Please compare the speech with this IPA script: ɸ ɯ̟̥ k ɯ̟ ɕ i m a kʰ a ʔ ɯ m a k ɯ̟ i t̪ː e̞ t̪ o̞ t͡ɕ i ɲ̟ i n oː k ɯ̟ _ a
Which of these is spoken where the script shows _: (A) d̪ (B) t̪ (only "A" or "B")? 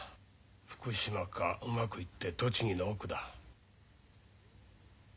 A